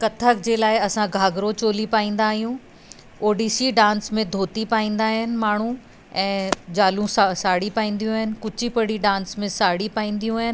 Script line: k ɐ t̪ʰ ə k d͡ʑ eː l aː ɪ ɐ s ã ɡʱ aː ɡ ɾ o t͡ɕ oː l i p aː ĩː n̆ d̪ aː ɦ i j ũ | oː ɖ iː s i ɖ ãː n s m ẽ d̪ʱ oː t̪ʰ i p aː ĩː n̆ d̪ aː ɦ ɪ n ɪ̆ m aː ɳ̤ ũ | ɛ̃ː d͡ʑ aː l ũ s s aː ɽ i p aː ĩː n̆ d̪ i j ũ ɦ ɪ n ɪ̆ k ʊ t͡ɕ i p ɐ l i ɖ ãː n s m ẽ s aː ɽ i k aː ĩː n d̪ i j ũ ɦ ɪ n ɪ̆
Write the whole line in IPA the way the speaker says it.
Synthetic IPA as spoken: k ɐ t̪ʰ ə k d͡ʑ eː l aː ɪ ɐ s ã ɡʱ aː ɡ ɾ o t͡ɕ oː l i p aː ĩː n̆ d̪ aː ɦ i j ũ | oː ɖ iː s i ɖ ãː n s m ẽ d̪ʱ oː t̪ i p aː ĩː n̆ d̪ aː ɦ ɪ n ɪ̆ m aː ɳ̤ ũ | ɛ̃ː d͡ʑ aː l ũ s s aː ɽ i p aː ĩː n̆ d̪ i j ũ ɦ ɪ n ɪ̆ k ʊ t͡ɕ i p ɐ ɽ i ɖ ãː n s m ẽ s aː ɽ i p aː ĩː n d̪ i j ũ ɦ ɪ n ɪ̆